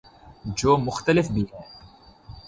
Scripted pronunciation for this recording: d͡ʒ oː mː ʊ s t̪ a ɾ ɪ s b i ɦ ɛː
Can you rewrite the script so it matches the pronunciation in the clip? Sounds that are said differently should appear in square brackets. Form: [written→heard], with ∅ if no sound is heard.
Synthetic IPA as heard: d͡ʒ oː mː ʊ [s→x] t̪ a [ɾ→l] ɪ [s→f] b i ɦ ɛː